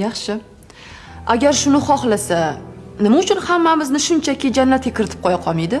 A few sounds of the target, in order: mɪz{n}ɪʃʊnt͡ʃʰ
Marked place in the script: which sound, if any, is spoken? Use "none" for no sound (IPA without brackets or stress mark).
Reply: n